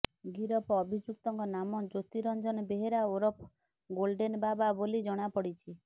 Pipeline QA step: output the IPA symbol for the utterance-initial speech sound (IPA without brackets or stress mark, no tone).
ɡ